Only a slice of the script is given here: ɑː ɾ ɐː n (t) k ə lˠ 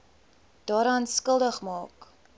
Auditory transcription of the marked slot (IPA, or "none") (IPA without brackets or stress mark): s